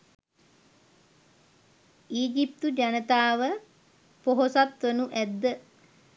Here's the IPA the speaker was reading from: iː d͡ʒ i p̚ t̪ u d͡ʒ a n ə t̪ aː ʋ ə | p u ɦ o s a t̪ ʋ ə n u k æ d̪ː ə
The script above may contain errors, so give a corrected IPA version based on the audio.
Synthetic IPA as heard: iː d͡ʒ i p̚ t̪ u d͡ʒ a n ə t̪ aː ʋ ə | p o ɦ o s a t̪ ʋ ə n u ʔ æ d̪ː ə